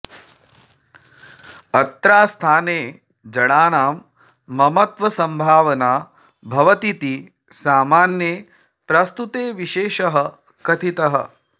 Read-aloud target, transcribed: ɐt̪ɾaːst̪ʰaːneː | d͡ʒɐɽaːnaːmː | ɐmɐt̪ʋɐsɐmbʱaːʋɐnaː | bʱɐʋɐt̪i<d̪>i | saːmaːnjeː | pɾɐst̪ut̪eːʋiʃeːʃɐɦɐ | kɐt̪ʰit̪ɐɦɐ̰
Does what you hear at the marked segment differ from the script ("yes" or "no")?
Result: yes